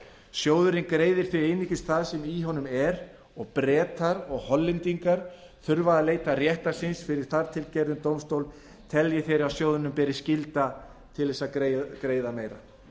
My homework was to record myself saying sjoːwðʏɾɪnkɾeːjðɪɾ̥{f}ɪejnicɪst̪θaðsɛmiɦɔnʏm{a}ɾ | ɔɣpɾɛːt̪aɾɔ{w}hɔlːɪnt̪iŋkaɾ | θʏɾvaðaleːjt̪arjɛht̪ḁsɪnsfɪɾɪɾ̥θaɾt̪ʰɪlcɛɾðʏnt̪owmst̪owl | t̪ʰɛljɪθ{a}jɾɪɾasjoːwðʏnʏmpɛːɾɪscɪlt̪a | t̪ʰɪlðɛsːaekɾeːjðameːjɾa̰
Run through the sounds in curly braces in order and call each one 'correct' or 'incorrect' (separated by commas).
incorrect, incorrect, incorrect, incorrect